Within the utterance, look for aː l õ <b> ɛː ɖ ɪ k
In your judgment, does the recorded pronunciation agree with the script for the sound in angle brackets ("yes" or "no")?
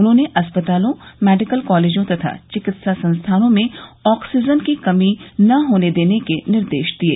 no